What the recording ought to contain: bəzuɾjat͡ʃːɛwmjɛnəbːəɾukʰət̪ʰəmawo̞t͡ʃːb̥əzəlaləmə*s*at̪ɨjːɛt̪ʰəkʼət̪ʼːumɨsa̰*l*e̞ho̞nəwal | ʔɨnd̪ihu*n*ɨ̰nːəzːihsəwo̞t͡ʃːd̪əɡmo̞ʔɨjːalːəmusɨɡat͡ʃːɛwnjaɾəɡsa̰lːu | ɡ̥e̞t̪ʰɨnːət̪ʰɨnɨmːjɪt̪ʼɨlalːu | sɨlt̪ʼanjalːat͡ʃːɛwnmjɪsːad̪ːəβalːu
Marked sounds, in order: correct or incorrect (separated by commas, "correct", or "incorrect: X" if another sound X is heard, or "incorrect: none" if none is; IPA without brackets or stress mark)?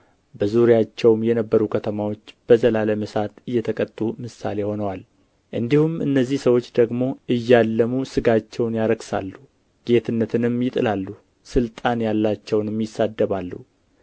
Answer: correct, correct, incorrect: m